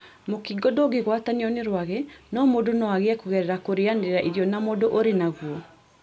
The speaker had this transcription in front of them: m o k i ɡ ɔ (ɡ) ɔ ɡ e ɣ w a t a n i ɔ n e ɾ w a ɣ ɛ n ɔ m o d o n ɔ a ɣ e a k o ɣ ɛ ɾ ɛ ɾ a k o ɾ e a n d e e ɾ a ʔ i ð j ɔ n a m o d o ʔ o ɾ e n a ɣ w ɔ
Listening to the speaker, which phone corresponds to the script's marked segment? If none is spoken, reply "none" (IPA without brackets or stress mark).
d